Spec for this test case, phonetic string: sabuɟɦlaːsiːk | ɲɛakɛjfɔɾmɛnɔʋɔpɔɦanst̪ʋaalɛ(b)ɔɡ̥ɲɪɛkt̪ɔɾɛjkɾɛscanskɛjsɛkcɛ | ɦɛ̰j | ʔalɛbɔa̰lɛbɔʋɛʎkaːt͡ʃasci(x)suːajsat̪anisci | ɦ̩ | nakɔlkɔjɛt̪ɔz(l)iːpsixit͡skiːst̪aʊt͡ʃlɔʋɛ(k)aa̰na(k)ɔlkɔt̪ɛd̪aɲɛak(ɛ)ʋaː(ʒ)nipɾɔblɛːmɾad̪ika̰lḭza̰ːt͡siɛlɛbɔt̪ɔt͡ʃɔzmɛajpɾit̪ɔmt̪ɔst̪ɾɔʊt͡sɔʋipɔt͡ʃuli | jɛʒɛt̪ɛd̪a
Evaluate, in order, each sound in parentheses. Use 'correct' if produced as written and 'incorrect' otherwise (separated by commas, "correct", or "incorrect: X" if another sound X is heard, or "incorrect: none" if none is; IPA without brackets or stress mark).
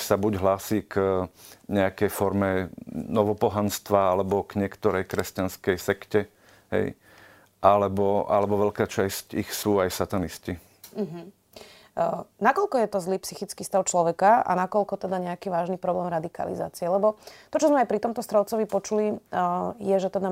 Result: correct, correct, correct, correct, correct, incorrect: i, correct